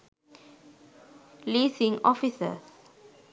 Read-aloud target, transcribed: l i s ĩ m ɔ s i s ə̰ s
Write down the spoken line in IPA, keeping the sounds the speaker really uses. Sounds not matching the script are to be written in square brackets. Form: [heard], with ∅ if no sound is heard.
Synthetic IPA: l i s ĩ [ŋ] ɔ [f] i s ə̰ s